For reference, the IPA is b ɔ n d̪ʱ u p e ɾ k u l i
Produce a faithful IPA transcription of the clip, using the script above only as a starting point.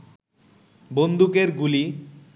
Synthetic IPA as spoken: b o n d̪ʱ u k e ɾ ɡ u l i